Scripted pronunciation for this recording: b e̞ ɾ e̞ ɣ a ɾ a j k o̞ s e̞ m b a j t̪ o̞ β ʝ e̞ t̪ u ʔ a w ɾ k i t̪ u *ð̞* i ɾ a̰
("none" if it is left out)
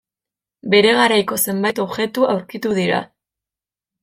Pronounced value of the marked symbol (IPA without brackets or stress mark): ð̞